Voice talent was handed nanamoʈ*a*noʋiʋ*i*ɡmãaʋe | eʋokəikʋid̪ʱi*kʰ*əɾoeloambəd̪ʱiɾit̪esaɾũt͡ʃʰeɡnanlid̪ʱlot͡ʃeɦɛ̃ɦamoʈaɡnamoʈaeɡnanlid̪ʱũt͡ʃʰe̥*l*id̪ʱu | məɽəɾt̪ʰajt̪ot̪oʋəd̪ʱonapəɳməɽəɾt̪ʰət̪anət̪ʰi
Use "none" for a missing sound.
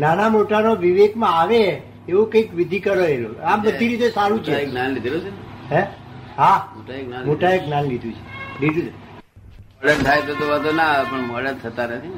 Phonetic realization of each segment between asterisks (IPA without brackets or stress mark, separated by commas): a, e, k, l